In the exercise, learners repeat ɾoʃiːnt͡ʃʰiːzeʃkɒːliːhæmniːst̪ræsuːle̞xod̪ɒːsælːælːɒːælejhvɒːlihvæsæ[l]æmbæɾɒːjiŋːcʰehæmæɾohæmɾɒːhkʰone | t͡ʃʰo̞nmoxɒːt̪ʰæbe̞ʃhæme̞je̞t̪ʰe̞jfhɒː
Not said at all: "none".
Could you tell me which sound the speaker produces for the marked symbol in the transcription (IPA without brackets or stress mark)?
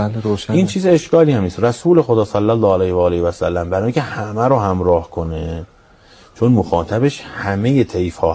lː